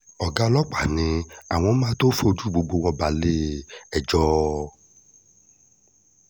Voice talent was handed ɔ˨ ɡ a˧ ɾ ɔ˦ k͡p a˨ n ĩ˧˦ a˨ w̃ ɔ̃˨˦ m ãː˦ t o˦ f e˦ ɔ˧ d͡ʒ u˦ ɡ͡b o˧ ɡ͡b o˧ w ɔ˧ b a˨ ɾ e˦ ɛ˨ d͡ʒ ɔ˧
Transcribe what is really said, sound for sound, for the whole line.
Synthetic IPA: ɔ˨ ɡ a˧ l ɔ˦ k͡p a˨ n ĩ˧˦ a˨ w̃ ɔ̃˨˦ m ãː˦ t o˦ f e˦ o˧ d͡ʒ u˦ ɡ͡b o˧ ɡ͡b o˧ w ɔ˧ b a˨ l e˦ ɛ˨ d͡ʒ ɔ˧